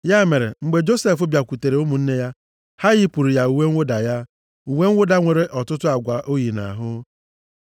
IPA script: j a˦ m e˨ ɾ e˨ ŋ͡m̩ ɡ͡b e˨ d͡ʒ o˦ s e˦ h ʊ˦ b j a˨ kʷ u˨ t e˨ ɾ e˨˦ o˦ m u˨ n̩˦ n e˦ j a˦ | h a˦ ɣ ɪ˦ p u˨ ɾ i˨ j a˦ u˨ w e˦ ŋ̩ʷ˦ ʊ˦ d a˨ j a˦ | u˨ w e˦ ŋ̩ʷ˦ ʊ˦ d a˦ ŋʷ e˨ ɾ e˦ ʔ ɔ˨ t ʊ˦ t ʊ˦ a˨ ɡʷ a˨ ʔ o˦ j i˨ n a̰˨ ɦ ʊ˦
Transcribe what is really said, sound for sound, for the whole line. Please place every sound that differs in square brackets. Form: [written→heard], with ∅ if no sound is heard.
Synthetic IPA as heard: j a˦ m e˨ ɾ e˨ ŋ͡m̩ ɡ͡b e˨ d͡ʒ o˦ s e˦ [h→f] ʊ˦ b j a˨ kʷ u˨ t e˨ ɾ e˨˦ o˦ m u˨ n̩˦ n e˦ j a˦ | h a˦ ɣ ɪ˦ p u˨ ɾ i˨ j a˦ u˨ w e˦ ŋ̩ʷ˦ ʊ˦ d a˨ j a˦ | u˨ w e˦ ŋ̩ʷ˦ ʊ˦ d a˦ ŋʷ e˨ ɾ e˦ ʔ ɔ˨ t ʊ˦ t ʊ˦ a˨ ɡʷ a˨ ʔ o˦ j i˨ n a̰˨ ɦ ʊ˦